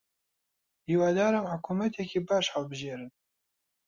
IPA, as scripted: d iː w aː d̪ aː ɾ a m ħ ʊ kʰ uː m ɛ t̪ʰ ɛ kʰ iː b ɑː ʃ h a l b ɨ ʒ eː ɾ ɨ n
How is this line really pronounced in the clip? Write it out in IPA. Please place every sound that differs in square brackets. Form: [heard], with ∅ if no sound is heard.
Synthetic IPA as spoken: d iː w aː d̪ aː ɾ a m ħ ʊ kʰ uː m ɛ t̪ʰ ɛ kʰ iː b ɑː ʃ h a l b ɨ ʒ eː ɾ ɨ n